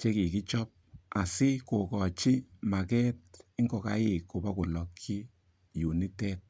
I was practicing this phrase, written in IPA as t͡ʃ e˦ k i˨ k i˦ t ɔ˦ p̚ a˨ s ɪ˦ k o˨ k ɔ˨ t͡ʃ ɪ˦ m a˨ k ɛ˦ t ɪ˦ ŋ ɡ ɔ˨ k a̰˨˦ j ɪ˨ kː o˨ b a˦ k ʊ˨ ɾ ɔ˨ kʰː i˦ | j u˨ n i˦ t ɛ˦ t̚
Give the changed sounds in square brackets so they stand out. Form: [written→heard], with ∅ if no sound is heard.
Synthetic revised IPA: t͡ʃ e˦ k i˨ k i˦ [t→t͡ʃ] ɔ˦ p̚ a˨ s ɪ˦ k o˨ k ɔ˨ t͡ʃ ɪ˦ m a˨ k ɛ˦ t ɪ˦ ŋ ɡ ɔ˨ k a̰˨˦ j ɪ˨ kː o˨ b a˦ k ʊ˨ [ɾ→l] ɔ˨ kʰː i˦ | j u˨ n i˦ t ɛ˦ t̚